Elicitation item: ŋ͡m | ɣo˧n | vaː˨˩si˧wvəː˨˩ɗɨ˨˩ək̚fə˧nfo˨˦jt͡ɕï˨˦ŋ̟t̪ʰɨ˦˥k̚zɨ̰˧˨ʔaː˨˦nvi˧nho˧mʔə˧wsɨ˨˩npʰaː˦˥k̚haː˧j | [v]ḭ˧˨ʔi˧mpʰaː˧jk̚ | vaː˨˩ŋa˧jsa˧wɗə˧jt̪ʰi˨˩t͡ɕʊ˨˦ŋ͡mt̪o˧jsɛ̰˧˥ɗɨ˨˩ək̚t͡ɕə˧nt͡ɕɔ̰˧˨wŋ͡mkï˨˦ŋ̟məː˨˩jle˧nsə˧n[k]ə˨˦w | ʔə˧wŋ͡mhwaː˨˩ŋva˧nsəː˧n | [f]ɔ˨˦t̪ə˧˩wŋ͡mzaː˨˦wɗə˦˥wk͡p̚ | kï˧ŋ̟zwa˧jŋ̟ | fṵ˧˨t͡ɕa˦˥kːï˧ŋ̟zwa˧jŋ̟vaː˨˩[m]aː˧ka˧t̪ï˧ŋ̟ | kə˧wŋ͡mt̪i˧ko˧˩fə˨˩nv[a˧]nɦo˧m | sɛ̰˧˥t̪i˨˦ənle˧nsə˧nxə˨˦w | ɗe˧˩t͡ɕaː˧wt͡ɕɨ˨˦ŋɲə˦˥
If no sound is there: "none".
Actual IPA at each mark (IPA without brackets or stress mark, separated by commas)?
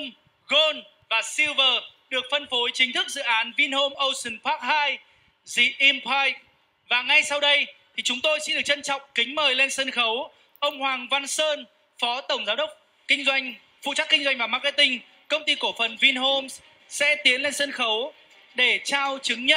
z, x, f, m, i˧